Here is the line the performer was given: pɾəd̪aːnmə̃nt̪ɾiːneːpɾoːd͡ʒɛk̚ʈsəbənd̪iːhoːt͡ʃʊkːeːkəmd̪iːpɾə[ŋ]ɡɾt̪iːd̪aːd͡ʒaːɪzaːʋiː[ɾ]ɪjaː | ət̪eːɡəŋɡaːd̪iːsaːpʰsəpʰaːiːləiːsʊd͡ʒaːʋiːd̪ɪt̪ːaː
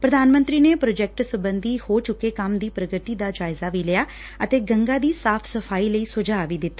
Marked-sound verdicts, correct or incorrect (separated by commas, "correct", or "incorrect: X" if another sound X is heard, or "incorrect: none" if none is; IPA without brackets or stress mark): incorrect: none, incorrect: l